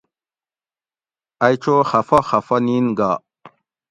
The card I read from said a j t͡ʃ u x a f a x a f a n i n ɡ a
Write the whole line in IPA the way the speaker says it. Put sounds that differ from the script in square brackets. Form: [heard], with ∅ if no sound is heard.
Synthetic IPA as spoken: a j t͡ʃ [o] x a f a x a f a n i n ɡ a